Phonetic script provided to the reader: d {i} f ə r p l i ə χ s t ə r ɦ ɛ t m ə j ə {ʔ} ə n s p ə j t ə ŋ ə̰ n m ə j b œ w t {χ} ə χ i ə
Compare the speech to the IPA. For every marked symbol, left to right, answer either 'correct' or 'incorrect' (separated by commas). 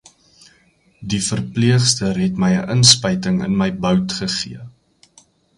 correct, correct, correct